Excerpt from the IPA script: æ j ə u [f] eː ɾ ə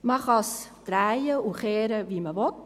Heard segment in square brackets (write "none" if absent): χ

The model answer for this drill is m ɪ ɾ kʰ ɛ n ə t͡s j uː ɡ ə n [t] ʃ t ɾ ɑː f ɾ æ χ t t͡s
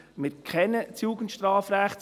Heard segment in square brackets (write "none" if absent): t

